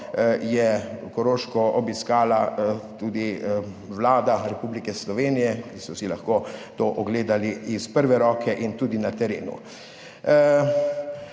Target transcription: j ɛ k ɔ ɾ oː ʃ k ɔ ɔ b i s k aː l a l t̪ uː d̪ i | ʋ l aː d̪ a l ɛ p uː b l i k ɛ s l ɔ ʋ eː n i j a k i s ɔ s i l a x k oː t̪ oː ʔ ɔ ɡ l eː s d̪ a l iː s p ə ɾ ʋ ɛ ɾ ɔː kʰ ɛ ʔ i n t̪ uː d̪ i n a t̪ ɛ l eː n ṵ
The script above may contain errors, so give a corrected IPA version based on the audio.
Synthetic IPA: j ɛ k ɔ ɾ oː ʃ k ɔ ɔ b i s k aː l a t̪ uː d̪ i | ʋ l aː d̪ a ɾ ɛ p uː b l i k ɛ s l ɔ ʋ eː n i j ɛ k i s ɔ s i l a x k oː t̪ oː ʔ ɔ ɡ l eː d̪ a l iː s p ə ɾ ʋ ɛ ɾ ɔː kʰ ɛ ʔ i n t̪ uː d̪ i n a t̪ ɛ ɾ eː n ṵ